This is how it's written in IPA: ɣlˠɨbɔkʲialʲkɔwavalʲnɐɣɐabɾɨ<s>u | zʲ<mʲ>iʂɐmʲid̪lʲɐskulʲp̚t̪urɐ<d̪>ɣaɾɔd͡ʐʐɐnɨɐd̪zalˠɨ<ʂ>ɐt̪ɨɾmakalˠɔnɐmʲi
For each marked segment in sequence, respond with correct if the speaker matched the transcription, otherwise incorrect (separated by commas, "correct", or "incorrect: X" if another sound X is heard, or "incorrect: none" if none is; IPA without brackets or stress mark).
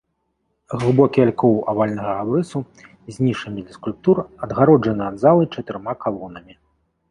correct, incorrect: nʲ, correct, incorrect: t͡ʂ